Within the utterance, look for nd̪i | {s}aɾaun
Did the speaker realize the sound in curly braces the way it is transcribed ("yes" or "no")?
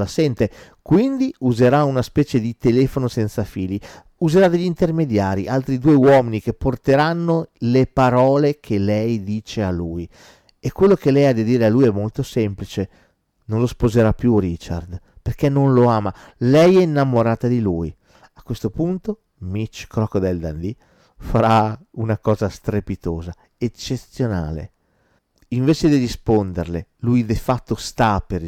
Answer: no